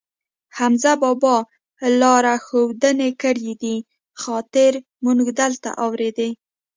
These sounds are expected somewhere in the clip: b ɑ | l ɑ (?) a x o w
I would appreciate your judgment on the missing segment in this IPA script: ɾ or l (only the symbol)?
ɾ